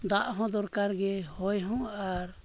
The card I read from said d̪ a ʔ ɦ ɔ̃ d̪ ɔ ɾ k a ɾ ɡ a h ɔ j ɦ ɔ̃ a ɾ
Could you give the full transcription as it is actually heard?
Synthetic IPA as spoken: d̪ a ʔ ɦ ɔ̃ d̪ ɔ ɾ k a ɾ ɡ ɛ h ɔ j ɦ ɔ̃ a ɾ